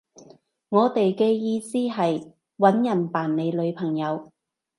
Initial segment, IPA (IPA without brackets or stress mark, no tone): ŋ